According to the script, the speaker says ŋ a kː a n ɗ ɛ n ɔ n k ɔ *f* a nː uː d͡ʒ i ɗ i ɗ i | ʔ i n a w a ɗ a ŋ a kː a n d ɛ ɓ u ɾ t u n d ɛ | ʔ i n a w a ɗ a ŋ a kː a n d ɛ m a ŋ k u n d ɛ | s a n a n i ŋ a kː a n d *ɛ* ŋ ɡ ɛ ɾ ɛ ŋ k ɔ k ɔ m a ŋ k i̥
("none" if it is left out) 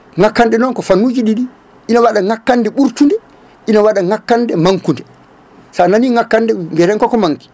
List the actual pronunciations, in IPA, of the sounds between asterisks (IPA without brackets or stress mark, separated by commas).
f, ɛ